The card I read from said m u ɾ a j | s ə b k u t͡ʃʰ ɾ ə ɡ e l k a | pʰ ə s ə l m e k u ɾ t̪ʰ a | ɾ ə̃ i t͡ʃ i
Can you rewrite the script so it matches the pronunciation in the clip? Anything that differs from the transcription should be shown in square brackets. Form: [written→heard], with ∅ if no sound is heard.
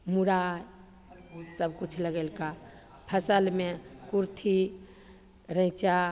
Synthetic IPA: m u ɾ a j | s ə b k u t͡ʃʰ [ɾ→l] ə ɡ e l k a | pʰ ə s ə l m e k u ɾ t̪ʰ [a→i] | ɾ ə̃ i t͡ʃ [i→a]